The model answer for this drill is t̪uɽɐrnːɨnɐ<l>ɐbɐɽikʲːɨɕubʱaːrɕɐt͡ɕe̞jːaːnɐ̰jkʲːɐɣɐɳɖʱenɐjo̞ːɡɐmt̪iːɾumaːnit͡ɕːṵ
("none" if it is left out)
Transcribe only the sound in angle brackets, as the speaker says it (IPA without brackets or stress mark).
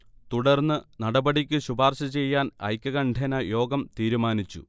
ɽ